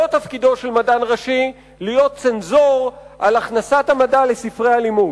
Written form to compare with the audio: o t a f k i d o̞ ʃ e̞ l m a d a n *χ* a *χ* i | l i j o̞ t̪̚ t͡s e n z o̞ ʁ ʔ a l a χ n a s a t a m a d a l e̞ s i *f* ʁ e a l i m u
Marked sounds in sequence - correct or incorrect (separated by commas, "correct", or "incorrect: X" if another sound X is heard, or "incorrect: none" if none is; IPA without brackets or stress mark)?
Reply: incorrect: ʁ, incorrect: ʃ, correct